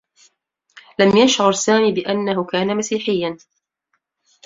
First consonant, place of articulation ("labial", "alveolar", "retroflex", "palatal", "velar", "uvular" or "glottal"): alveolar